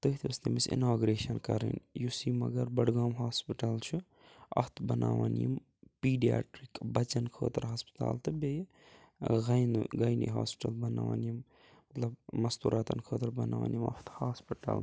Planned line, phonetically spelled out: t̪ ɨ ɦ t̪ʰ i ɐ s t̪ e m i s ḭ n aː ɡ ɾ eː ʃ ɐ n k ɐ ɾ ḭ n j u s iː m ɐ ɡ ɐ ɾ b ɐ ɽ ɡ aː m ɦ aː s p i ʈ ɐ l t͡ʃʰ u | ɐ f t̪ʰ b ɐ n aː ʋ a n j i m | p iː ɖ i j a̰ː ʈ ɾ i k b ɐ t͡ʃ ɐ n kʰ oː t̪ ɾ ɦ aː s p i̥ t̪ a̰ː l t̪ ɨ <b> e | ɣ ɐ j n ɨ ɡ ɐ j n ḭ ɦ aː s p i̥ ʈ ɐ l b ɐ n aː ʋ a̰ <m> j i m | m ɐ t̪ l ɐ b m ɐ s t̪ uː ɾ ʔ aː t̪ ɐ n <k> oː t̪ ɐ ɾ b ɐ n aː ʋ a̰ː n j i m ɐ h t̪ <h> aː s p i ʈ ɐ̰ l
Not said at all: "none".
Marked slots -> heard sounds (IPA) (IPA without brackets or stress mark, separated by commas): b, n, kʰ, h